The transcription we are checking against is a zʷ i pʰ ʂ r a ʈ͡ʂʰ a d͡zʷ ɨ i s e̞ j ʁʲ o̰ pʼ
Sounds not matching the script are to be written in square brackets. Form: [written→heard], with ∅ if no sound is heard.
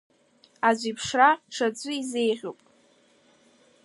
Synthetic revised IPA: a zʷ i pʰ ʂ r a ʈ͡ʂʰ a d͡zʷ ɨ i [s→z] e̞ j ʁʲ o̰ pʼ